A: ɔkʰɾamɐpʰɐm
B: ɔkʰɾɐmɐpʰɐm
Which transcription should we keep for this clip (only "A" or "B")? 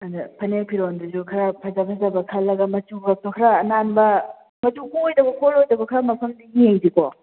A